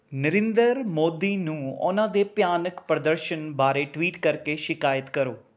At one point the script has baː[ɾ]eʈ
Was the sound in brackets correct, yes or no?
yes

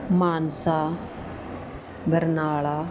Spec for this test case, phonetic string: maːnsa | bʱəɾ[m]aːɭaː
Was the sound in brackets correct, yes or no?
no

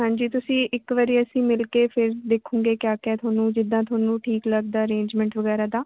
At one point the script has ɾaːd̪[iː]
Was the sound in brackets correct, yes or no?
no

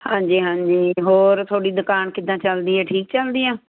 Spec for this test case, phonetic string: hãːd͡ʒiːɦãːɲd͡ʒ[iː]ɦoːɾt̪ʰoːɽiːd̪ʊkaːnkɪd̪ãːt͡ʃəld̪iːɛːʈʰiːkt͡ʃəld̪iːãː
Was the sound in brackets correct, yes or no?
yes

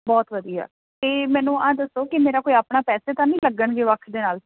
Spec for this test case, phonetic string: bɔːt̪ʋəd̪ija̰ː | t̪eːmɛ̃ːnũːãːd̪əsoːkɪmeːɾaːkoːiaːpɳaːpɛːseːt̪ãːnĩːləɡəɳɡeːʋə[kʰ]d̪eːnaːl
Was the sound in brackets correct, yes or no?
yes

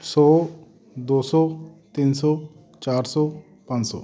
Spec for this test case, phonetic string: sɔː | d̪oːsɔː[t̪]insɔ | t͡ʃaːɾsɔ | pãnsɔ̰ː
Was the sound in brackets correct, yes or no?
yes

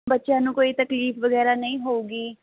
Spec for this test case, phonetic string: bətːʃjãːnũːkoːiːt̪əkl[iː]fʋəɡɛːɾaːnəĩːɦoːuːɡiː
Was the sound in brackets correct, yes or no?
yes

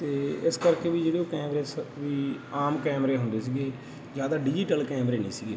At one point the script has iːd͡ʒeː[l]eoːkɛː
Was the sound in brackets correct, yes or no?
no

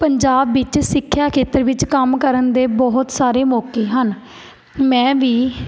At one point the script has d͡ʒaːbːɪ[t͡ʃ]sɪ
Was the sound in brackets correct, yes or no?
yes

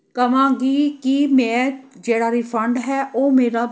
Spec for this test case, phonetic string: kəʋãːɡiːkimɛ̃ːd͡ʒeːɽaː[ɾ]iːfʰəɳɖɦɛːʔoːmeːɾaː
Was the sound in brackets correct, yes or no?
yes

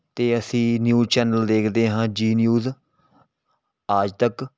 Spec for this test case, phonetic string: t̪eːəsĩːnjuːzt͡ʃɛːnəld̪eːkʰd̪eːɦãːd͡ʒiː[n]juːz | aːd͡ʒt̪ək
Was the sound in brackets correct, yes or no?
yes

